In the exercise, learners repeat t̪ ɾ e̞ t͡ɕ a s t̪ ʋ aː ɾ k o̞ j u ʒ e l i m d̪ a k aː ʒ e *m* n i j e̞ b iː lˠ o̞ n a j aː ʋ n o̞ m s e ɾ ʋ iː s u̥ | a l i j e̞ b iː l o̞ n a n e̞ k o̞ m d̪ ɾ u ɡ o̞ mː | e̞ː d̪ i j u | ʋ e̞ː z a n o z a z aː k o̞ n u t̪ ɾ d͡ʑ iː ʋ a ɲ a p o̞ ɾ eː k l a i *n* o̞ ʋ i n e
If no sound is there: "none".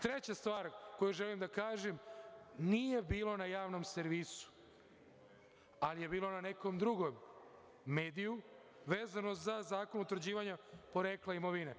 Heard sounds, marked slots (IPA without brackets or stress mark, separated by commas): m, m